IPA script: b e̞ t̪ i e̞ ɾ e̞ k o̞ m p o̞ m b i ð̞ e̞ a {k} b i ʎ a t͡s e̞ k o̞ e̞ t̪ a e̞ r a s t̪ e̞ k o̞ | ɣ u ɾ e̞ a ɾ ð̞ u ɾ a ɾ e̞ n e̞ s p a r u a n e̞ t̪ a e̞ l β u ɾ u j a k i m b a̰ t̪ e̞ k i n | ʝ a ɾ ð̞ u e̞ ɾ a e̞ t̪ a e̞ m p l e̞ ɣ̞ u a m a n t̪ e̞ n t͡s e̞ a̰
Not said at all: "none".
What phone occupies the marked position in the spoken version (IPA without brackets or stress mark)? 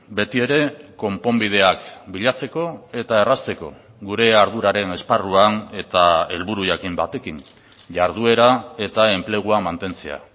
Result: k